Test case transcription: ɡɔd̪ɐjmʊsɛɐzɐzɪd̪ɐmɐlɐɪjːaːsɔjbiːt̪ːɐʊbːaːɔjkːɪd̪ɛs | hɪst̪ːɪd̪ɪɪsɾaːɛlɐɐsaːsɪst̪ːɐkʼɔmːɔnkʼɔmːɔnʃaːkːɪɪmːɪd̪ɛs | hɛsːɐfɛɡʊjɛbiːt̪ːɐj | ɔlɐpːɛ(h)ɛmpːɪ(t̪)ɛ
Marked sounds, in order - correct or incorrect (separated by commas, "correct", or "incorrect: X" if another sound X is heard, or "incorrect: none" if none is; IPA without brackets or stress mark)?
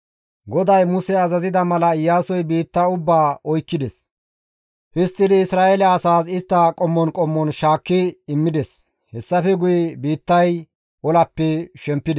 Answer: incorrect: ʃ, incorrect: d̪